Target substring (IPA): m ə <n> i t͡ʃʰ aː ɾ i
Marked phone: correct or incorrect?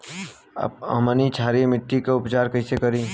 correct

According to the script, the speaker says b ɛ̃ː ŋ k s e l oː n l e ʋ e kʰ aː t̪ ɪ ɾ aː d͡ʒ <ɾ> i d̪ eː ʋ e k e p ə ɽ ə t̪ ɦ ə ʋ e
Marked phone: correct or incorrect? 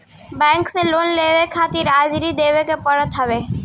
correct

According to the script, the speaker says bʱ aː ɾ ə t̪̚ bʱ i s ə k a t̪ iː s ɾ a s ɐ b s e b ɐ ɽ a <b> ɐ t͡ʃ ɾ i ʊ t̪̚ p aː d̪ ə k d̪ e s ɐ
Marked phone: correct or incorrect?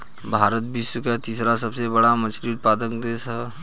incorrect: m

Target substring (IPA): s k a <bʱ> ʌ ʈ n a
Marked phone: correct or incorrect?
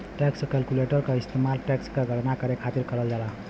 incorrect: ɡʱ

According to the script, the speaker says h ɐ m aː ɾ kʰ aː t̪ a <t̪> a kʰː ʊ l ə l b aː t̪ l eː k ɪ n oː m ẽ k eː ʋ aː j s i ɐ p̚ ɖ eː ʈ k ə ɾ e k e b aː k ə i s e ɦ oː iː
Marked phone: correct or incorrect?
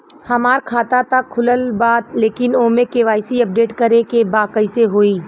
correct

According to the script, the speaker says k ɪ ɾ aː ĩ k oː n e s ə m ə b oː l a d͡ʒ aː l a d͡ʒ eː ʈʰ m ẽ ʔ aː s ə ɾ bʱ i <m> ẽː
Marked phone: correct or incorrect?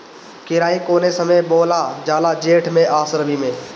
correct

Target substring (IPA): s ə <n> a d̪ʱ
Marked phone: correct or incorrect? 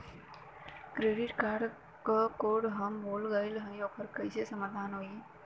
incorrect: m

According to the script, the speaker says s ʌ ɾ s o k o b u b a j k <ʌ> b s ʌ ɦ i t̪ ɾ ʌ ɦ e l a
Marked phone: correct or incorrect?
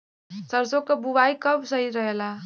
correct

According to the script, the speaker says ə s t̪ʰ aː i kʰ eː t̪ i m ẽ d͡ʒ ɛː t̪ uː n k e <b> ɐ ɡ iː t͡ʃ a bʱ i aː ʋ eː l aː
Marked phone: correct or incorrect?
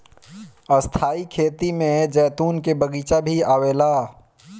correct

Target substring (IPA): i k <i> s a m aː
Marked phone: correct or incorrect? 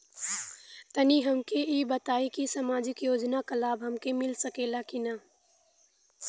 correct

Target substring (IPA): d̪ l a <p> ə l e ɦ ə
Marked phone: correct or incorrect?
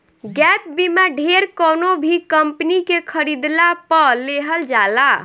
correct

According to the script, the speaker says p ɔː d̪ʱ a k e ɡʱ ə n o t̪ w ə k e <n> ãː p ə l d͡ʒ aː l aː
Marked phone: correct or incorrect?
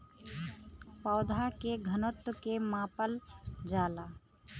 incorrect: m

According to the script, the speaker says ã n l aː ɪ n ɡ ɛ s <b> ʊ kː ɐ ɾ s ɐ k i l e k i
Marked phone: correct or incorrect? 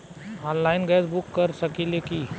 correct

